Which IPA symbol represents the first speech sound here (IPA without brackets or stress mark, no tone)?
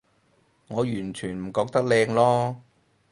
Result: ŋ